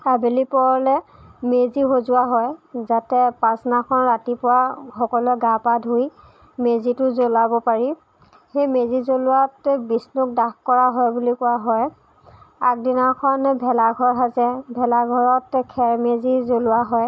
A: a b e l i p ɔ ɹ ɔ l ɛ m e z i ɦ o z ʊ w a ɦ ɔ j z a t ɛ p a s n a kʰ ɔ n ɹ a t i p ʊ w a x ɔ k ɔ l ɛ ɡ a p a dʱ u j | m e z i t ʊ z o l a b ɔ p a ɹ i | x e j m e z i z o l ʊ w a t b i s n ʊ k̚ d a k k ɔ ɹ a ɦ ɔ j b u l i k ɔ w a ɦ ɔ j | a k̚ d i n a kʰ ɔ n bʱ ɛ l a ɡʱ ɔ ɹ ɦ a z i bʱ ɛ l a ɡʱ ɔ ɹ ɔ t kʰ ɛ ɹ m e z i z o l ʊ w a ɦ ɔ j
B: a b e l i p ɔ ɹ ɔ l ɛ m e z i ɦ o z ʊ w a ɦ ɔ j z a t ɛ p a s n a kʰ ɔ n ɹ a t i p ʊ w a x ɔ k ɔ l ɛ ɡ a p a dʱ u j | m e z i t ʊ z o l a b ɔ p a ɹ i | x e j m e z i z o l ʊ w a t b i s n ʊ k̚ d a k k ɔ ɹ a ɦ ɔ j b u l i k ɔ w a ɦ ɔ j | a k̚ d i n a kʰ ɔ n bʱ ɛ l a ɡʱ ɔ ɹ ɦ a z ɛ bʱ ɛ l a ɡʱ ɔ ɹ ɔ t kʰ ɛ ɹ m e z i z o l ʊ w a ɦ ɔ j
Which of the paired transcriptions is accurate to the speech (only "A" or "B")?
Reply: B